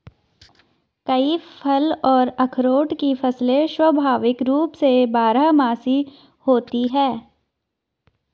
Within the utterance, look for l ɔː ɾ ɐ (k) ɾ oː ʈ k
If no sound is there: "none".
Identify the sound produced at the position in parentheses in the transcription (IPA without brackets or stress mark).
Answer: kʰ